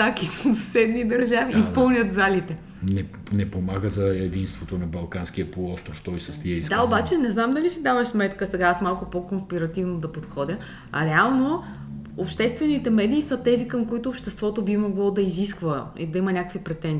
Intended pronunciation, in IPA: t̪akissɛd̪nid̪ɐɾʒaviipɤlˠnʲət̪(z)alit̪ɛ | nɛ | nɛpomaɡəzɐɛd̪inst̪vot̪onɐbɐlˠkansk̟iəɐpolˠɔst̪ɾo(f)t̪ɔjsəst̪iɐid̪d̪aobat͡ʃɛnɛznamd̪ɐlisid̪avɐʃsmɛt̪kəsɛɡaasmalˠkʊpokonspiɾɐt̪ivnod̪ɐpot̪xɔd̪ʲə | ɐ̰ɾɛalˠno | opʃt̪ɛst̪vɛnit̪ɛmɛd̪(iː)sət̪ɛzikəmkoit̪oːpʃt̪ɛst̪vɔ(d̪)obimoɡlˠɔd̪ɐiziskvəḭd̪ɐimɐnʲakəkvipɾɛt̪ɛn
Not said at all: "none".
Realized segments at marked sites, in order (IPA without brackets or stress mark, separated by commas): z, f, iː, t̪